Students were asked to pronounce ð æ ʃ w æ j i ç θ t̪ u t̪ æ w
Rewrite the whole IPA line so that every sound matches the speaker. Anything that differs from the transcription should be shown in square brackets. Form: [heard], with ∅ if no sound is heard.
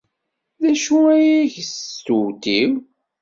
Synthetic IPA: ð æ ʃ [u] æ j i ç [s] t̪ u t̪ [i] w